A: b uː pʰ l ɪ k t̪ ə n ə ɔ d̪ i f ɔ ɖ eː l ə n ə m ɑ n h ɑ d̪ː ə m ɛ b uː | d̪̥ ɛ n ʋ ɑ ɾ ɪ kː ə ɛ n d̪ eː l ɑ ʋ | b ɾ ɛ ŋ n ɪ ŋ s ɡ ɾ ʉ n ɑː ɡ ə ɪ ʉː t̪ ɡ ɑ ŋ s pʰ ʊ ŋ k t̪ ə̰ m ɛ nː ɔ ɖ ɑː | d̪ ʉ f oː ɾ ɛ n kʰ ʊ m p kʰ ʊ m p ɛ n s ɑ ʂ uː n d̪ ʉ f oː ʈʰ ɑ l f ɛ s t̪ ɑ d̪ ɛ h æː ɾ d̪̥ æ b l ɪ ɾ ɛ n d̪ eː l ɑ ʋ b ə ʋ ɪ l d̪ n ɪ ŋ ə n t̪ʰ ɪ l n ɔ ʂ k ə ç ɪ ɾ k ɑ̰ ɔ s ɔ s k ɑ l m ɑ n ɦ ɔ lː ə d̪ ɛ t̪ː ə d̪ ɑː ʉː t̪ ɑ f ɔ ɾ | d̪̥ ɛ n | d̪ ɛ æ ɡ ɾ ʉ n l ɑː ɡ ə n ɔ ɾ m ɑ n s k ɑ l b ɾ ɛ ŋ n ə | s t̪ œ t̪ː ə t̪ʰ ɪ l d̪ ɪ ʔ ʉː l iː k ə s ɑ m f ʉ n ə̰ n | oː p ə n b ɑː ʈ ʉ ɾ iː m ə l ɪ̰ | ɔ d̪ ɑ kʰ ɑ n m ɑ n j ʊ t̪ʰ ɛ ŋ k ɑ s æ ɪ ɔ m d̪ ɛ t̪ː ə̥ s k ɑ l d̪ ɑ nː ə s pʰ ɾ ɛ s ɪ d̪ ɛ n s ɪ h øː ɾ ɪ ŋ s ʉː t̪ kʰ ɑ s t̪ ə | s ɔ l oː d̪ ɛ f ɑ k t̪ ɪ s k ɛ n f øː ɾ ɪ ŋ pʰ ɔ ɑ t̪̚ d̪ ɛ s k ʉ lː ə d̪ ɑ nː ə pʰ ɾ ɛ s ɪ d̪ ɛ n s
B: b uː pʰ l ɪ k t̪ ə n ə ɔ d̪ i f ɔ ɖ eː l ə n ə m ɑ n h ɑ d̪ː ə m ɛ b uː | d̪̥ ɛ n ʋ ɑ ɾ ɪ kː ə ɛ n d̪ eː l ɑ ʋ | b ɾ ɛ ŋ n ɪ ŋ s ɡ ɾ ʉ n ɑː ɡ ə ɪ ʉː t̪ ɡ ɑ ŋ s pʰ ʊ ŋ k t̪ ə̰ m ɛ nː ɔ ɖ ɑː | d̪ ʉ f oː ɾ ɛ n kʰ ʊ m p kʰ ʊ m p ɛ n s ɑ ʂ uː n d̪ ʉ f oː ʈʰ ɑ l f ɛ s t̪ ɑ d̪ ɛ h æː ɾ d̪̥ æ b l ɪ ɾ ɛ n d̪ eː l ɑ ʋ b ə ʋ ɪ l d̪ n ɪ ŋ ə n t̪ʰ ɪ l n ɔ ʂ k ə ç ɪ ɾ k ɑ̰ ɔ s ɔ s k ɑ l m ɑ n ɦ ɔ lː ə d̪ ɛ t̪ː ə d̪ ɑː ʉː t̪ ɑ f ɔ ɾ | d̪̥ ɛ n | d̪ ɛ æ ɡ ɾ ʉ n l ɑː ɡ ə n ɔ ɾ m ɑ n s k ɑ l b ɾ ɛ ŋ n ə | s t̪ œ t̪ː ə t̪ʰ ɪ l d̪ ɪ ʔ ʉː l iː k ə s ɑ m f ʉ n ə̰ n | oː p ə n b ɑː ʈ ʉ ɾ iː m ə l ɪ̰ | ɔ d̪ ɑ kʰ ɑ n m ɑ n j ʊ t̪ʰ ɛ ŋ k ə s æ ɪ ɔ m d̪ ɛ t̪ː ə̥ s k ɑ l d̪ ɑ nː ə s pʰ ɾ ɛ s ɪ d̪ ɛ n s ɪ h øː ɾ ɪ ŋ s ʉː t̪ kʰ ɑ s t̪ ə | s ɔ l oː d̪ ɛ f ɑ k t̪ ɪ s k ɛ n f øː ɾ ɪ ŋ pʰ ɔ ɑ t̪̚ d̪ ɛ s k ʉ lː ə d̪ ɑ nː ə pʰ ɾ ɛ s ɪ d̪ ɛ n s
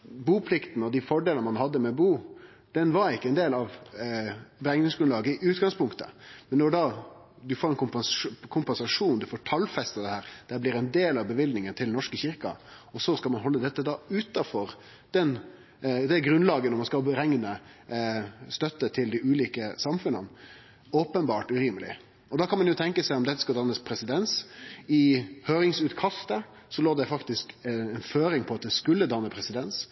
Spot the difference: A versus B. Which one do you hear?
B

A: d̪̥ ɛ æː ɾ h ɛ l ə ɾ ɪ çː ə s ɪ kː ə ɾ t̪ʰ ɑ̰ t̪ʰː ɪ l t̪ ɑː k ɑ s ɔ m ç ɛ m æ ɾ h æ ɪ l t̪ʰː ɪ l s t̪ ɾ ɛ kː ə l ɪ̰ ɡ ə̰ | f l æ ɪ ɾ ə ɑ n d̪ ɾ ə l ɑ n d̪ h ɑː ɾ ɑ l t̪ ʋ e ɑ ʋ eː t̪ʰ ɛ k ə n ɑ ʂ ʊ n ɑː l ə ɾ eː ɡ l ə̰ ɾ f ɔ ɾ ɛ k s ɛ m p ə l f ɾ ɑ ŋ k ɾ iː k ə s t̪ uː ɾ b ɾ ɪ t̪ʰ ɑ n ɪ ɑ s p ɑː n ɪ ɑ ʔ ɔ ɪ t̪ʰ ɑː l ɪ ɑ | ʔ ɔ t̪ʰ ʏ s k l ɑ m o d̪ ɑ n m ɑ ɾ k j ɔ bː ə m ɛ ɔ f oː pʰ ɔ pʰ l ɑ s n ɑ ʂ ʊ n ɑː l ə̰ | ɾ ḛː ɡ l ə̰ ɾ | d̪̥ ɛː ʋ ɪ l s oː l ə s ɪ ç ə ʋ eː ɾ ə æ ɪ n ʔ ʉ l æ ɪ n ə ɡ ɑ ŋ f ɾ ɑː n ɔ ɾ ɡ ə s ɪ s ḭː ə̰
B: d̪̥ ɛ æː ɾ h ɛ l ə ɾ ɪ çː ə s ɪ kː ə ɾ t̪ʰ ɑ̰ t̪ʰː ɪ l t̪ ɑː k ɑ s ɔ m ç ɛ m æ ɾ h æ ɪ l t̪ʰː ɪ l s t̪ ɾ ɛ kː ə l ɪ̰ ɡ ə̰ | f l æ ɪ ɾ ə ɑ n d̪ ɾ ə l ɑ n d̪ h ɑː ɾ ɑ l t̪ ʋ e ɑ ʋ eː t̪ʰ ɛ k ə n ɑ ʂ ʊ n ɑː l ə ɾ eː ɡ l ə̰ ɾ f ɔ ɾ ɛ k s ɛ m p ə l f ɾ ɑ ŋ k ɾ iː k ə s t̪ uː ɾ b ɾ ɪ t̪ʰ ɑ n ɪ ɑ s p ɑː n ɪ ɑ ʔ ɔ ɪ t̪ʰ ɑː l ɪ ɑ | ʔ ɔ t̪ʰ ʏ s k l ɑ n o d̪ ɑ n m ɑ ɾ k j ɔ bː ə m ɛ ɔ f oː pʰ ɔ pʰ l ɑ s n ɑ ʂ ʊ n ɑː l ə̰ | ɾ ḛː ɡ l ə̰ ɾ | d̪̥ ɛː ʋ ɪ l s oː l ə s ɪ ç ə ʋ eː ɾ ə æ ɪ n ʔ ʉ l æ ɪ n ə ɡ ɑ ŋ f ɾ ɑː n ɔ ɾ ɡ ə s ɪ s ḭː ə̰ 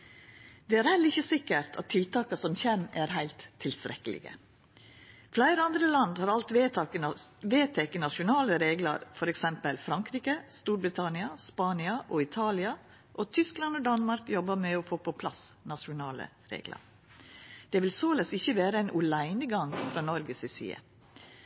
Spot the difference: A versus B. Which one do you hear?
B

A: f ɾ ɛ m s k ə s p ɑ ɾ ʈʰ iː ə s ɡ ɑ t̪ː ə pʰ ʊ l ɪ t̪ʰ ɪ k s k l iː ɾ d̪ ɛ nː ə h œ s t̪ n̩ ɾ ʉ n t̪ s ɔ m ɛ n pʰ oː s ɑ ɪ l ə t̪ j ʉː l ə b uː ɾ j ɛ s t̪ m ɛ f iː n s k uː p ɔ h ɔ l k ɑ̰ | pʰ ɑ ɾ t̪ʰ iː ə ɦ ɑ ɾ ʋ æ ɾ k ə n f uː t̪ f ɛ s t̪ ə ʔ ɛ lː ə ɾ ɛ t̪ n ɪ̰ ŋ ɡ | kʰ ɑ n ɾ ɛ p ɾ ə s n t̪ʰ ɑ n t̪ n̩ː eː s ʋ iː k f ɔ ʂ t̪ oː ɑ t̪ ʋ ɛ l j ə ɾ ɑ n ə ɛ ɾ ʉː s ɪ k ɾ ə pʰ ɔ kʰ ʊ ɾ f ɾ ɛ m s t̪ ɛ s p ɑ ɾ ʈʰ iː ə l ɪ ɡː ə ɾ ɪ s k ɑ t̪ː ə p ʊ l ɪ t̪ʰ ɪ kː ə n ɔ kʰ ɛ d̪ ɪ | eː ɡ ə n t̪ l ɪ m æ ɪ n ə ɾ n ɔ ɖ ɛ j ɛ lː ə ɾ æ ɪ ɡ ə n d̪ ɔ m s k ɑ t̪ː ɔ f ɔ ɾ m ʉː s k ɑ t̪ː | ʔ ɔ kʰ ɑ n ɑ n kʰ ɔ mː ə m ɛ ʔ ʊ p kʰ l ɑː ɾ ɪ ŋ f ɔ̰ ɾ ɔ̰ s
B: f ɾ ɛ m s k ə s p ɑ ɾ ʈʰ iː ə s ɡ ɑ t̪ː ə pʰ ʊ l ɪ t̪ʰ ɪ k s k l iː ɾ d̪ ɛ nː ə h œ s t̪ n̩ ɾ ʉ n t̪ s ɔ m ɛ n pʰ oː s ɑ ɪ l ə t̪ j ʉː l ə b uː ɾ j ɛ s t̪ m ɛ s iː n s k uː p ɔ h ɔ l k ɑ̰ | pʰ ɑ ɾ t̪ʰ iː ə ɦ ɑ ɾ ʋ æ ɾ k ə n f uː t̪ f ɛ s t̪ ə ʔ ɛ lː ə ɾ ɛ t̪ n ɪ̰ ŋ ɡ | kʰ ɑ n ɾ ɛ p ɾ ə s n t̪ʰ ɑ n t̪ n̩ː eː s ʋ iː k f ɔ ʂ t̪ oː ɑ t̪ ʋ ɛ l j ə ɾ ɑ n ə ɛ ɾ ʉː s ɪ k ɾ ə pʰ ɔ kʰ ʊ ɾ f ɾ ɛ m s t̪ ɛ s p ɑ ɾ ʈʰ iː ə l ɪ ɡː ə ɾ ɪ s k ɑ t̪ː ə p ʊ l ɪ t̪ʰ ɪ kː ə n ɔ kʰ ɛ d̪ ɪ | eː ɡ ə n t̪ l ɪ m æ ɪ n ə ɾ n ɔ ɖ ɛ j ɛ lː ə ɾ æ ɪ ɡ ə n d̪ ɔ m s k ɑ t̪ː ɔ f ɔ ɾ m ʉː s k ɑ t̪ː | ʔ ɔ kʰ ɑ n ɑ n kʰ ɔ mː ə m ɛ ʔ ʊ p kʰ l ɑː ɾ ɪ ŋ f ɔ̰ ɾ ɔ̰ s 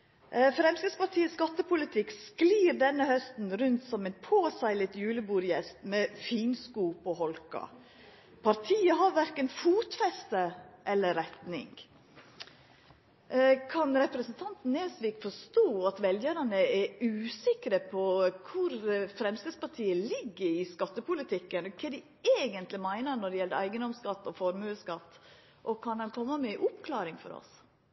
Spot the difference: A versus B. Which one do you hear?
A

